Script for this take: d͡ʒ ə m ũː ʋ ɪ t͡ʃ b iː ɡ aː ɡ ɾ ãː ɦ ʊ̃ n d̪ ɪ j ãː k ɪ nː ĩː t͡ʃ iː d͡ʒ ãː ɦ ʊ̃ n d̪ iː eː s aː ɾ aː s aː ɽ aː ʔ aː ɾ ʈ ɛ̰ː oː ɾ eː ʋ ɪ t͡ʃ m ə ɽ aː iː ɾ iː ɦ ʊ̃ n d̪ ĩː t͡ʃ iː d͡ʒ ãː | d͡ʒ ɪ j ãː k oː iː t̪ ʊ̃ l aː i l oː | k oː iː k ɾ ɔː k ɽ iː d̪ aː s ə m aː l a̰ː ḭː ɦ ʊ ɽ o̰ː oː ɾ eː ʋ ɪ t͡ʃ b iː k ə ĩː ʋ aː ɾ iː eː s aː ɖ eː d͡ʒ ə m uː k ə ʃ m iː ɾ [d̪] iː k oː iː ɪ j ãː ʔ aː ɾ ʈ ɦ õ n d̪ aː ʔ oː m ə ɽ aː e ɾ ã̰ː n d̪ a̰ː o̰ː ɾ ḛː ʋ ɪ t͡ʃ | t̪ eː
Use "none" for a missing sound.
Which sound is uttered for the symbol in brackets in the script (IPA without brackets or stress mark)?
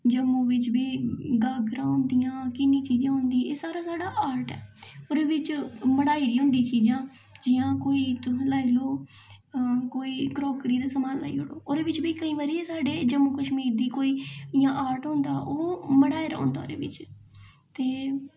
d̪